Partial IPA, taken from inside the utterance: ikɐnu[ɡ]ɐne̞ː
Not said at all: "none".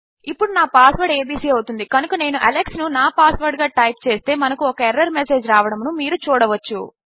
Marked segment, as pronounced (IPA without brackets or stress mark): k